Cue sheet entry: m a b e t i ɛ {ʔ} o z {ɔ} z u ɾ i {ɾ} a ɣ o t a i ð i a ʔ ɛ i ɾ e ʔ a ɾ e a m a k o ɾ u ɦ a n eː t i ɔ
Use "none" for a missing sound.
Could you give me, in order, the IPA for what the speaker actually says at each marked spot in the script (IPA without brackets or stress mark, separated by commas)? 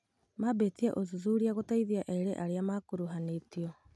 ʔ, u, none